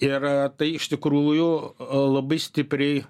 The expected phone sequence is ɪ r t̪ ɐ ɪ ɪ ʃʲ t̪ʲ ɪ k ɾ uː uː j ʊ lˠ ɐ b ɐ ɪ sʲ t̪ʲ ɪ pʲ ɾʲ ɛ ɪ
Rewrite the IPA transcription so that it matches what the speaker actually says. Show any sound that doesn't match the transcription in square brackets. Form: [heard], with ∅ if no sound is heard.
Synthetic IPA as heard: ɪ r t̪ ɐ ɪ ɪ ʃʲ t̪ʲ ɪ k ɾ [u] uː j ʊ lˠ ɐ b ɐ ɪ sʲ t̪ʲ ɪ pʲ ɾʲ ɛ ɪ